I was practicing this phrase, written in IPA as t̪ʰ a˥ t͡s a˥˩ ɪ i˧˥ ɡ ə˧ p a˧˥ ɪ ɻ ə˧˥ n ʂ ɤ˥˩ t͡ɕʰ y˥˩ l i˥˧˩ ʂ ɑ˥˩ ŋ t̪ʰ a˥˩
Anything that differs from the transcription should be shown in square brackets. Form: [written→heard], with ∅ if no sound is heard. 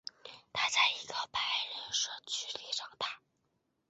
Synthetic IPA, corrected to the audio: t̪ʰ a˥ t͡s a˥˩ ɪ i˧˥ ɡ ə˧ p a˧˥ ɪ ɻ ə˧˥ n ʂ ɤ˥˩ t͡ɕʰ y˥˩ l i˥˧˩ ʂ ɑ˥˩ ŋ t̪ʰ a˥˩